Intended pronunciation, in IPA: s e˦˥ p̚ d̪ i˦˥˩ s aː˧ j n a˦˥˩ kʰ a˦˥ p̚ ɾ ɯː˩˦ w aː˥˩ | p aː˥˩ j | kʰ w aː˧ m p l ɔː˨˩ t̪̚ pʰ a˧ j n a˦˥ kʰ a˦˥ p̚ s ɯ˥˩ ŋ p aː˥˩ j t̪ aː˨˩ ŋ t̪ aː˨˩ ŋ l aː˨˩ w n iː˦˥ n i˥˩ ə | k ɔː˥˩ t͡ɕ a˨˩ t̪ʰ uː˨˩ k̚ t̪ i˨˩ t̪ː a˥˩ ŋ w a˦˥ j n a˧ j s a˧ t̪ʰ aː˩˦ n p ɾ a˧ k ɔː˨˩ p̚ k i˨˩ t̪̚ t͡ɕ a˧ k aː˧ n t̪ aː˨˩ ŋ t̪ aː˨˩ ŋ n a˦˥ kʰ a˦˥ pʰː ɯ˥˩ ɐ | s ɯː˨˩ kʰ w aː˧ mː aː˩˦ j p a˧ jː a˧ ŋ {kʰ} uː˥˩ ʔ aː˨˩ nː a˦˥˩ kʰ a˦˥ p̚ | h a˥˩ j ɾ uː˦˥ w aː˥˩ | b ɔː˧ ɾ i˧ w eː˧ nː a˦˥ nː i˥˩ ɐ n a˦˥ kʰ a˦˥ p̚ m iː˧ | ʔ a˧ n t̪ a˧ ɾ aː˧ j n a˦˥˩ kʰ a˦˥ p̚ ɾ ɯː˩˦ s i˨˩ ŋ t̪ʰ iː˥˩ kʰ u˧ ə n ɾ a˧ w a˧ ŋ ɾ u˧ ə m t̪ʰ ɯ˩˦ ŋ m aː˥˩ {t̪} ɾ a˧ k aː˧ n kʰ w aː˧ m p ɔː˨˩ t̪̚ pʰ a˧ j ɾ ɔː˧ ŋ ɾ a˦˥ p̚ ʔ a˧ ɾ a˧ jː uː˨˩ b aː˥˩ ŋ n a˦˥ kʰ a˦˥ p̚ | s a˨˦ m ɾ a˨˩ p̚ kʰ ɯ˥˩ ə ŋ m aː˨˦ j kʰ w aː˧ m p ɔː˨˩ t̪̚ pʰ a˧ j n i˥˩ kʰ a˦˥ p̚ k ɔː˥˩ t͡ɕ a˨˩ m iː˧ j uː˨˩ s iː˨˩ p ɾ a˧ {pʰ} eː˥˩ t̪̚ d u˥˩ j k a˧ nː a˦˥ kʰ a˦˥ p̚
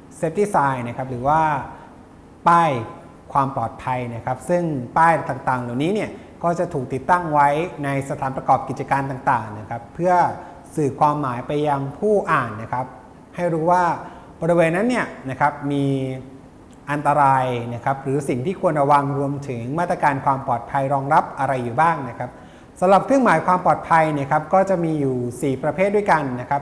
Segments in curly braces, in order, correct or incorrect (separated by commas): incorrect, correct, correct